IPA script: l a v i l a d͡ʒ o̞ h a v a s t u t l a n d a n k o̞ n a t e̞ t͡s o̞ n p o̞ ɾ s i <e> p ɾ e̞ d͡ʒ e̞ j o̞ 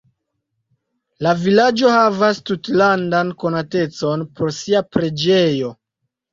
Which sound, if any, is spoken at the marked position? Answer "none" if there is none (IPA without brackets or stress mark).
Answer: a